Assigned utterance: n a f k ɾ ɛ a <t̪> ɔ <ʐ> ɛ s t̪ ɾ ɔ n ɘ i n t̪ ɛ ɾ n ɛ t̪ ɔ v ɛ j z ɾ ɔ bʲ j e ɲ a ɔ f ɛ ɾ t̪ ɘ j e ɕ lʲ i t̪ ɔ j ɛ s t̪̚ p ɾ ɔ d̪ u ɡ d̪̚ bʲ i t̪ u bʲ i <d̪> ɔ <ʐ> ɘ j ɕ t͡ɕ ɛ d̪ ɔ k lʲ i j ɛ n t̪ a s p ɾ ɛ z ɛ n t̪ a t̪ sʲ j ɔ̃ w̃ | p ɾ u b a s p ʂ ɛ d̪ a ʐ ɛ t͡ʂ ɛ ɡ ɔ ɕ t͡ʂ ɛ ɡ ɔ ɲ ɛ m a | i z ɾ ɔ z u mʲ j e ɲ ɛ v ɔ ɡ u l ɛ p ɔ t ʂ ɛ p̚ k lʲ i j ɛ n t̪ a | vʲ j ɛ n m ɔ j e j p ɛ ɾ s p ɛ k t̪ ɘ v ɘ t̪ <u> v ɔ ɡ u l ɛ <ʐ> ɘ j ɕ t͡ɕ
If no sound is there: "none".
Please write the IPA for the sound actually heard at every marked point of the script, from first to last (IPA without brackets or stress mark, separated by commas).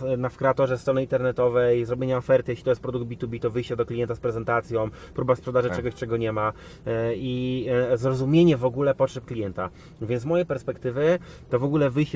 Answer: t̪, ʐ, t̪, v, ɔ, v